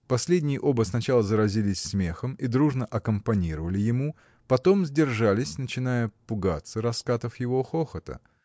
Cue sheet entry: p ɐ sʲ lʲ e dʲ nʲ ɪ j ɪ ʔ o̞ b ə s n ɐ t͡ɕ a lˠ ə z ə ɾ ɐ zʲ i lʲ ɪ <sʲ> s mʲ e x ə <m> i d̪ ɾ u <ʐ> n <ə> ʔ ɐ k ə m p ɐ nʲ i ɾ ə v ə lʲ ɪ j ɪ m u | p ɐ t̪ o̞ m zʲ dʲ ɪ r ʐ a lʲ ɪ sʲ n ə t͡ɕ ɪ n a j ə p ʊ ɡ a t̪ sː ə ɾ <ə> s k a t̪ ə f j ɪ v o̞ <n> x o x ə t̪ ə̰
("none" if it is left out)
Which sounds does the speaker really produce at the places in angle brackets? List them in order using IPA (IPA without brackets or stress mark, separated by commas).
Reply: sʲ, m, ʐ, ə, ɐ, none